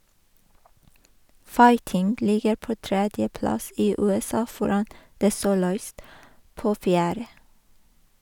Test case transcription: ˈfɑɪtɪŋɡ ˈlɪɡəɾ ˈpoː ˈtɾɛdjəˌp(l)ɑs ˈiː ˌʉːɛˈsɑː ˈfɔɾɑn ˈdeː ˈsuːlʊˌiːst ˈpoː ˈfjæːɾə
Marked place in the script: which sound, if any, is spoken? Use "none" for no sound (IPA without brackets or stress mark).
l